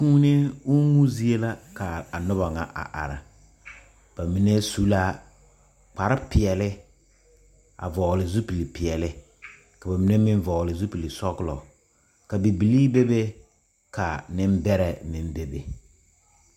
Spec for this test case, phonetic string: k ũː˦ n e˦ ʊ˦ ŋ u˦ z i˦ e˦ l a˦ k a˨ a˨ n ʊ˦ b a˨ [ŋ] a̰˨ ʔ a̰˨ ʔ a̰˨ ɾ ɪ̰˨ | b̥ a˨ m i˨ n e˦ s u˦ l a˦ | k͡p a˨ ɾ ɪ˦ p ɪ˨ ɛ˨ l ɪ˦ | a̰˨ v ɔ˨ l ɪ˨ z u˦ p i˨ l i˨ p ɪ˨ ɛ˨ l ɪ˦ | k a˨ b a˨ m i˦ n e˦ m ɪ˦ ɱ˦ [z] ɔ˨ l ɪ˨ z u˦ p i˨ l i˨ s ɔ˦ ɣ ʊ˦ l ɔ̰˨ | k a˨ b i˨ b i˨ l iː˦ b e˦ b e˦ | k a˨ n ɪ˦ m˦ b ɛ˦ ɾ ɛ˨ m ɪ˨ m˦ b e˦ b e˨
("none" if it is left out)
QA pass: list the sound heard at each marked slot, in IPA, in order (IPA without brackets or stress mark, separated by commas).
ŋ, v